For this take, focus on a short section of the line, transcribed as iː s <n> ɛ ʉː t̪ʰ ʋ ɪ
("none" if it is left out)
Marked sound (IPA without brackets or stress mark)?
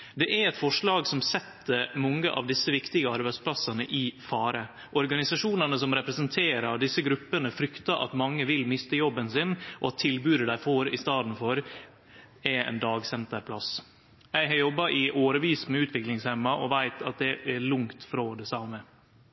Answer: m